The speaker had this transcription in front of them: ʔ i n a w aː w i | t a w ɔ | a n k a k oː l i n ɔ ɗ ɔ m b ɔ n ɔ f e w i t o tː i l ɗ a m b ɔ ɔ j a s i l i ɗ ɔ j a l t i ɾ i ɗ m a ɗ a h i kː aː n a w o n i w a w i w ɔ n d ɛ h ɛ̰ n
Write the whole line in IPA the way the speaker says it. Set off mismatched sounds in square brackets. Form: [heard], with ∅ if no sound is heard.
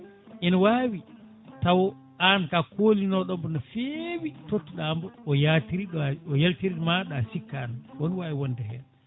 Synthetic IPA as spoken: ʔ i n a w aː w i | t a w ɔ | a n k a k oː l i n ɔ ɗ ɔ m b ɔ n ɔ f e w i t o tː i [∅] ɗ a m b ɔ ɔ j a [t] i [ɾ] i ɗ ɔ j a l t i ɾ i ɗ m a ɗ a [s] i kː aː n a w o n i w a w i w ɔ n d ɛ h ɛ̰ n